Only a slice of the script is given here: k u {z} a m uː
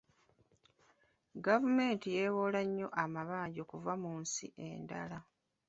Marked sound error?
yes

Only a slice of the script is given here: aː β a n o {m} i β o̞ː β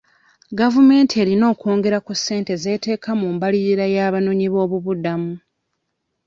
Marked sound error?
yes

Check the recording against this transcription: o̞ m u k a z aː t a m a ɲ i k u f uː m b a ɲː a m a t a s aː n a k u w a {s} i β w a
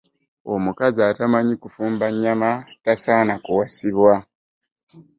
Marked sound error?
no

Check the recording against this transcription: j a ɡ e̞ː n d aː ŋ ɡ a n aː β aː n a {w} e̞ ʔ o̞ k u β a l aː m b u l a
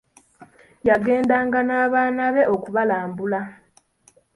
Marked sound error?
yes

